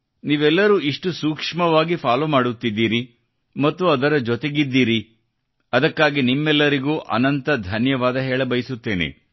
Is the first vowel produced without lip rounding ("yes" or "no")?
yes